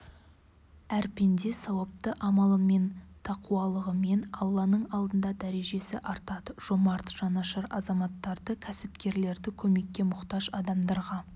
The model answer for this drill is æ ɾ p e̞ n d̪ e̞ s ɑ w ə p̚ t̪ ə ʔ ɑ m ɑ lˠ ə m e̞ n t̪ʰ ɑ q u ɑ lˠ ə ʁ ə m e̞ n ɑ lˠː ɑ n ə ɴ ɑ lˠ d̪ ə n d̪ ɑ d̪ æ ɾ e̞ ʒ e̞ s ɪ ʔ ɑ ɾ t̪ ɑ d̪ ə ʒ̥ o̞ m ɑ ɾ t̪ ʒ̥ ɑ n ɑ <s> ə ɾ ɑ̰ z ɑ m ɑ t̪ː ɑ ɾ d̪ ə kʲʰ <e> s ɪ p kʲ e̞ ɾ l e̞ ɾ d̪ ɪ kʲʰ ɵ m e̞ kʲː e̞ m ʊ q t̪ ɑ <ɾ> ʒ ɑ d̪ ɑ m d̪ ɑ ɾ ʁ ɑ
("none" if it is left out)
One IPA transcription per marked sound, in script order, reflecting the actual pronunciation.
ʃ, æ, none

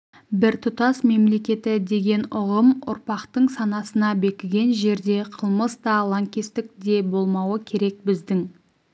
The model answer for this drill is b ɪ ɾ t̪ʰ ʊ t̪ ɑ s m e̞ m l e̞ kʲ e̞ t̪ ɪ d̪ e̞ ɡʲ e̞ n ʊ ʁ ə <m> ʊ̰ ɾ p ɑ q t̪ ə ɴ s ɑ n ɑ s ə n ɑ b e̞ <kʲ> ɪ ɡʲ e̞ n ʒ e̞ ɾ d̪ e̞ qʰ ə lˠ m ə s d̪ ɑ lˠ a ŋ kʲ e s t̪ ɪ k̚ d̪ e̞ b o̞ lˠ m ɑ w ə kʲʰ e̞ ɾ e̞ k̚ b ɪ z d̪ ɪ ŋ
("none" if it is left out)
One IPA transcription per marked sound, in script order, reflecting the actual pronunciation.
m, kʲ

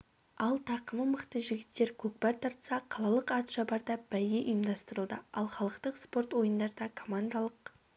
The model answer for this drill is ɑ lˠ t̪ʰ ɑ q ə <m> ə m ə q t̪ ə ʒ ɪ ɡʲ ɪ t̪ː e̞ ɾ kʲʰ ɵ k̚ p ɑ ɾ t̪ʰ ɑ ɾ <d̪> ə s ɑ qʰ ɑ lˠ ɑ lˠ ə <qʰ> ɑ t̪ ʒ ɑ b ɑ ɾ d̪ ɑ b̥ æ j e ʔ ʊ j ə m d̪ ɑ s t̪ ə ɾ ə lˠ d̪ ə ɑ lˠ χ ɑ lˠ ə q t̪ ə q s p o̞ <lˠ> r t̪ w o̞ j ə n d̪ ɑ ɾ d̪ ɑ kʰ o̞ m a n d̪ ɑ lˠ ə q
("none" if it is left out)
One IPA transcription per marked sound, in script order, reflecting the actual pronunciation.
m, t̪, q, none

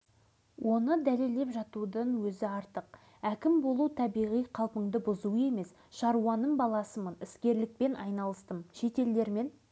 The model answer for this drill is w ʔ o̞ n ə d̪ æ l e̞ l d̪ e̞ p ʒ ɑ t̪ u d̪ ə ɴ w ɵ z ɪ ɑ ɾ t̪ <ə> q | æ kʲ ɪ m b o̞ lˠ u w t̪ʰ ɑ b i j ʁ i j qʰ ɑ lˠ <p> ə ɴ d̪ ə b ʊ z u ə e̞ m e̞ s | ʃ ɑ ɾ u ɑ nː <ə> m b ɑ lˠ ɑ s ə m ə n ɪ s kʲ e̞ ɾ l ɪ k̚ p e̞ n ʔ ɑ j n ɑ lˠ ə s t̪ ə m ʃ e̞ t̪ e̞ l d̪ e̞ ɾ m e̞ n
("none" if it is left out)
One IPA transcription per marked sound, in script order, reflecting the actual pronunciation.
ə, p, ə

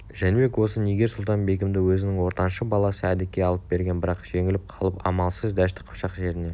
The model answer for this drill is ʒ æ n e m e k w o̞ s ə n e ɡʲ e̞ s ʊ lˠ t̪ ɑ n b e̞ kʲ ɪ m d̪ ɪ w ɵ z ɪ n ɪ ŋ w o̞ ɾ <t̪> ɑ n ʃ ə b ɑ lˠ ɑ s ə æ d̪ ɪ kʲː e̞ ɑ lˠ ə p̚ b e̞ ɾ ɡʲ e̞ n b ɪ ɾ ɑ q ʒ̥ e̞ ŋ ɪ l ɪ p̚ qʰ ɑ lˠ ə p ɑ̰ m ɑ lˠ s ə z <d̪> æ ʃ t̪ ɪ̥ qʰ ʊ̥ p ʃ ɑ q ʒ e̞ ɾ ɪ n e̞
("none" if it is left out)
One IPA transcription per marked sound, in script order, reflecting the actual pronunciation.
t̪, d̪

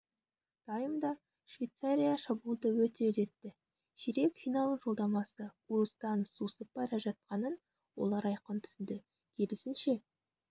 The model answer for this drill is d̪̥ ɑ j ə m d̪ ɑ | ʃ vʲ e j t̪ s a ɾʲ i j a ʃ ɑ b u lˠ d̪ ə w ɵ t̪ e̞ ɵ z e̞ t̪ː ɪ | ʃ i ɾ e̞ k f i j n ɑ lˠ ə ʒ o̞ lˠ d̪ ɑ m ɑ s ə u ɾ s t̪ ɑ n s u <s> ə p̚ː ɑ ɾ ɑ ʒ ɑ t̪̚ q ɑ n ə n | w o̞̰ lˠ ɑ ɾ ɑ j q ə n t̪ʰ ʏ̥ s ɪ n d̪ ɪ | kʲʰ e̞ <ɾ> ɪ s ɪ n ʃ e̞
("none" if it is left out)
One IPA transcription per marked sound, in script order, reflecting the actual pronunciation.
s, l

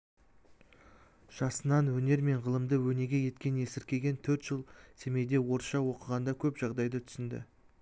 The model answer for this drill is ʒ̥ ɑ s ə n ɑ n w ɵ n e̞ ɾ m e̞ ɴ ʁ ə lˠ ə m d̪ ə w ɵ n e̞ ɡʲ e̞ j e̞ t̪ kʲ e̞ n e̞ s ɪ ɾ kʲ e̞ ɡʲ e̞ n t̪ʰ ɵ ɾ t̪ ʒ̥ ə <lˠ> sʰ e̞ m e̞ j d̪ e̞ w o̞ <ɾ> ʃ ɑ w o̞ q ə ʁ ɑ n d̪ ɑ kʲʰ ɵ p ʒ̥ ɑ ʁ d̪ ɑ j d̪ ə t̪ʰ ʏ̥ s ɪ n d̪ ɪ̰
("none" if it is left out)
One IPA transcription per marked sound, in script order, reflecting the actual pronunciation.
lˠ, ɾ

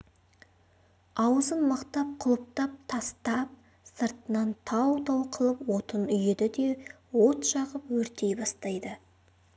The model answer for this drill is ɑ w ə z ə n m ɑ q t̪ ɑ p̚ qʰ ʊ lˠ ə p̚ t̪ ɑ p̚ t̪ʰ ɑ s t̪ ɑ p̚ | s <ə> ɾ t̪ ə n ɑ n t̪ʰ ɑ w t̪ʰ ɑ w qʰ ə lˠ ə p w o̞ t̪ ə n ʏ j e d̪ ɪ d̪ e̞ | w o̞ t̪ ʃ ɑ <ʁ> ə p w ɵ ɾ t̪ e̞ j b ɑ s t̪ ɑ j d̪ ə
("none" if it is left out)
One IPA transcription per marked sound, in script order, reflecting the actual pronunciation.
ə, ʁ

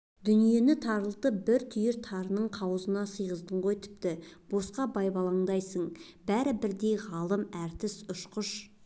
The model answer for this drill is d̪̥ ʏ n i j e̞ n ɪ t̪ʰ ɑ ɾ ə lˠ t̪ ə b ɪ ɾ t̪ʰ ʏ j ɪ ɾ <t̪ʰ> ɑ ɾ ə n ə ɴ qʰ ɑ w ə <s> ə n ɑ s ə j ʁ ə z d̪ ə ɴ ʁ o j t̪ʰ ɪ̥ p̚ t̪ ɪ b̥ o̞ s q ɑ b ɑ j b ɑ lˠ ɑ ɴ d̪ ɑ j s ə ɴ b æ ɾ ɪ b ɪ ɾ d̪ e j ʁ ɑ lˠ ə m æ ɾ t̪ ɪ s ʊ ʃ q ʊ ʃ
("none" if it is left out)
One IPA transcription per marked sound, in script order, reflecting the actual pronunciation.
t̪ʰ, z

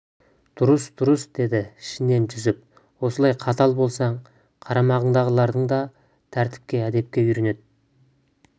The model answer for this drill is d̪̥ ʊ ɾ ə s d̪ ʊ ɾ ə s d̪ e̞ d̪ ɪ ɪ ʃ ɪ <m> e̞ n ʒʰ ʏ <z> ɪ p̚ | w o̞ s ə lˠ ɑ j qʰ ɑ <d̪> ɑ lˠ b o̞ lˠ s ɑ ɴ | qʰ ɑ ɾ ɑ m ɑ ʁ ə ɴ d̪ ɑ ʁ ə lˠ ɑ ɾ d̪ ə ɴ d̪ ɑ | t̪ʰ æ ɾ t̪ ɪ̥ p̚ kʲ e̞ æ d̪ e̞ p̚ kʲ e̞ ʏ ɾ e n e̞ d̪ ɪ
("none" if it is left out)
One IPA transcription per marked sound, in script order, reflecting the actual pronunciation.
n, z, t̪

